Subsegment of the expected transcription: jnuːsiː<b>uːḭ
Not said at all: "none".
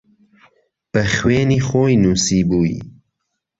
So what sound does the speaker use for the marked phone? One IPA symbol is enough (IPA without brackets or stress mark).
b